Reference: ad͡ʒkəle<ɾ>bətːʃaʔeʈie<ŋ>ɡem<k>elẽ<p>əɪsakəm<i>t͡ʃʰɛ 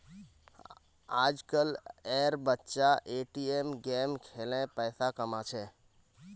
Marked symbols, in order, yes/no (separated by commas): yes, no, no, yes, no